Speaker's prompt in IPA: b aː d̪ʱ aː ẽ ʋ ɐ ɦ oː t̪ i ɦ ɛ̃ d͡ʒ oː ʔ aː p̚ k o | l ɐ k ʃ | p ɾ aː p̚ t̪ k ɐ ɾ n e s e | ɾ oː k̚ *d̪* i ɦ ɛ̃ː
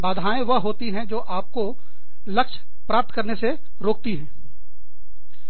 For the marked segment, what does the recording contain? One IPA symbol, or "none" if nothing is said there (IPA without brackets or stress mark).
t̪